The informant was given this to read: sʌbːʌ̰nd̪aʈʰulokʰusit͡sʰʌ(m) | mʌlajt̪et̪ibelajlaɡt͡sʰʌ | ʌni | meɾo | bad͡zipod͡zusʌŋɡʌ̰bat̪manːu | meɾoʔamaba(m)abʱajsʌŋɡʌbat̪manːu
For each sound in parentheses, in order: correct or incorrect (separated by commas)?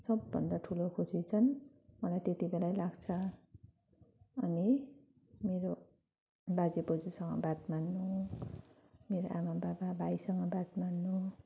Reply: incorrect, incorrect